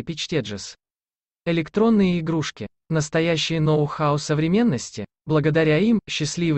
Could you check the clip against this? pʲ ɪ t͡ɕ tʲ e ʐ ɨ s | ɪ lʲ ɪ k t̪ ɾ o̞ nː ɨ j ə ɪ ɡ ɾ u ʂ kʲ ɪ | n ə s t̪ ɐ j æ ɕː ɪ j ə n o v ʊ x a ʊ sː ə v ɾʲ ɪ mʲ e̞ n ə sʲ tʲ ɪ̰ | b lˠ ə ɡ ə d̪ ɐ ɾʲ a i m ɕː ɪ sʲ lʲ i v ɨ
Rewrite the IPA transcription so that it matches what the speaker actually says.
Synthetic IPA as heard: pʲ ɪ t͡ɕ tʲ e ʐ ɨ s | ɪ lʲ ɪ k t̪ ɾ o̞ nː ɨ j ə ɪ ɡ ɾ u ʂ kʲ ɪ | n ə s t̪ ɐ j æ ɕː ɪ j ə n o v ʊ x a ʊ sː ə v ɾʲ ɪ mʲ e̞ nː ə sʲ tʲ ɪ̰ | b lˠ ə ɡ ə d̪ ɐ ɾʲ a i m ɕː ɪ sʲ lʲ i v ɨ